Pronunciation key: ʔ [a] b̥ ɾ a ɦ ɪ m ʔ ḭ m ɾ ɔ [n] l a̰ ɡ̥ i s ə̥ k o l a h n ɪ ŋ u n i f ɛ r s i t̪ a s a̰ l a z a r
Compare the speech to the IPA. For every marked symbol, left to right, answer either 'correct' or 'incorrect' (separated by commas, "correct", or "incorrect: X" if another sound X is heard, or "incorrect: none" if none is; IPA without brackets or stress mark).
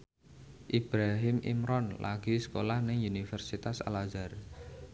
incorrect: i, correct